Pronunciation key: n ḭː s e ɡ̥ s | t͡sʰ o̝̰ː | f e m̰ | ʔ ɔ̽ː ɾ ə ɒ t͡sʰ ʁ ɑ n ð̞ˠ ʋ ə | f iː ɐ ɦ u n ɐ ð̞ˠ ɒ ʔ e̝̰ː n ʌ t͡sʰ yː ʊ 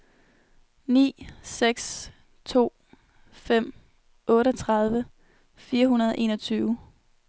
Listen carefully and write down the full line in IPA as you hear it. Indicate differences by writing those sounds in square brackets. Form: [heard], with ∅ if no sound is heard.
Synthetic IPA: n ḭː s e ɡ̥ s | t͡sʰ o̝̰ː | f e m̰ | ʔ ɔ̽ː ɾ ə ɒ t͡sʰ ʁ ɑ [∅] ð̞ˠ ʋ ə | f iː ɐ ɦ u n ɐ ð̞ˠ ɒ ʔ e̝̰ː n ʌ t͡sʰ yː ʊ